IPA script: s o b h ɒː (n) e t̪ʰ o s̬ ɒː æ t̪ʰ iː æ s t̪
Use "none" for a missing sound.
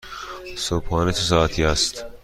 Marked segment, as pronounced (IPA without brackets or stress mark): n